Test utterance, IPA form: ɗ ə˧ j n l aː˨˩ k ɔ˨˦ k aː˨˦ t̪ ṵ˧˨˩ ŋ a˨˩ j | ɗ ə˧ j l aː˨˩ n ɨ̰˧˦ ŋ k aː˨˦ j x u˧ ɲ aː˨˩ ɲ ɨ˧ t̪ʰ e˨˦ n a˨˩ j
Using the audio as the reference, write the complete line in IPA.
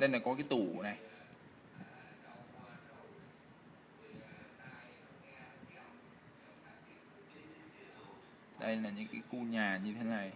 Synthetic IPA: ɗ ə˧ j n l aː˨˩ k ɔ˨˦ k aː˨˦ t̪ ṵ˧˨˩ n a˨˩ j | ɗ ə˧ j l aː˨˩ ɲ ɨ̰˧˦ ŋ k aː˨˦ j x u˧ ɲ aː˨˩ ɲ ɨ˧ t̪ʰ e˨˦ n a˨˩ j